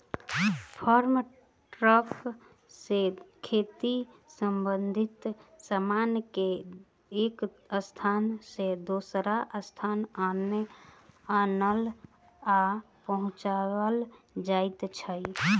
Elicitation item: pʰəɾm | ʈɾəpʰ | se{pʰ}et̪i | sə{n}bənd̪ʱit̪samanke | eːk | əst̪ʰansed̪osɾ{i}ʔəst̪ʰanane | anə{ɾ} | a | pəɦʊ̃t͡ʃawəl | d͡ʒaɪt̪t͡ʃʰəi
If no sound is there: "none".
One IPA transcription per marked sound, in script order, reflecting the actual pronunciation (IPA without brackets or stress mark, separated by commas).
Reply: kʰ, m, a, l